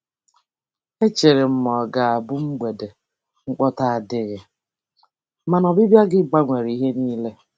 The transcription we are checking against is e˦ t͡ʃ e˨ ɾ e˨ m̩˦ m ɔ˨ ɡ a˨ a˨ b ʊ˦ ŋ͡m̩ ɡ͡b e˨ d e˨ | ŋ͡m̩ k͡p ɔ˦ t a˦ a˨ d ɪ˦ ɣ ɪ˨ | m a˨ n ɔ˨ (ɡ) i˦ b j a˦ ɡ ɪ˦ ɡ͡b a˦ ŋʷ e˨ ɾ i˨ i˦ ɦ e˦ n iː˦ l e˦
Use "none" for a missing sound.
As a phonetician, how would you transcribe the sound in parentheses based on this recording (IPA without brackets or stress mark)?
b